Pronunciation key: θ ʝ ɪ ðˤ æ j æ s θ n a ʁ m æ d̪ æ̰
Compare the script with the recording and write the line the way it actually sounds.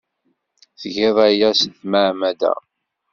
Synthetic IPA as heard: θ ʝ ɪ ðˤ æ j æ s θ m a ʕ m æ d̪ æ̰